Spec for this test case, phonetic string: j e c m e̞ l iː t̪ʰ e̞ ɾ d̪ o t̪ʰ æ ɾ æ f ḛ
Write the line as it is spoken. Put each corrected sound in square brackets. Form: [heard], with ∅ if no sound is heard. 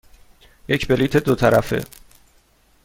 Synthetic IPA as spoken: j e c [b] e̞ l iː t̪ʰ e̞ [∅] d̪ o t̪ʰ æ ɾ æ f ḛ